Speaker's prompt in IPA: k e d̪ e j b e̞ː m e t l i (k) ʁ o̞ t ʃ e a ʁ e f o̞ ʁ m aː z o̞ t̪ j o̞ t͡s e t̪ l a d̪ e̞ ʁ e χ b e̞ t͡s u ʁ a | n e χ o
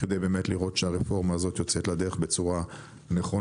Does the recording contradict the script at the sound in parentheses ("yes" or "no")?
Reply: yes